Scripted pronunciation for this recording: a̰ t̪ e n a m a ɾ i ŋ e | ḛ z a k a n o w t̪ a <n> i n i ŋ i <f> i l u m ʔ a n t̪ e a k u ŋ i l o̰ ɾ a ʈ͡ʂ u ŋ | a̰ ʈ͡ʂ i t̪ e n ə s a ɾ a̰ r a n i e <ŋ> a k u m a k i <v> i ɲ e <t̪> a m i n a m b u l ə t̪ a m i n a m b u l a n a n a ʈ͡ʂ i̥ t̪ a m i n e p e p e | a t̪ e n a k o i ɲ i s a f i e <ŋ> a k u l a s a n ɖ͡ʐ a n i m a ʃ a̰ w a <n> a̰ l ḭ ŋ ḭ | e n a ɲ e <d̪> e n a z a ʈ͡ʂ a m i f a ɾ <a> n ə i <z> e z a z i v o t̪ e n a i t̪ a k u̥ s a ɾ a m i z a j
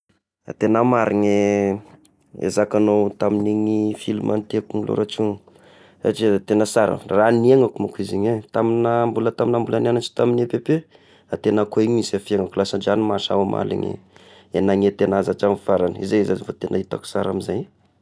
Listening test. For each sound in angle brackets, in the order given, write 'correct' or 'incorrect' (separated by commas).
incorrect, correct, correct, incorrect, correct, correct, incorrect, incorrect, correct, correct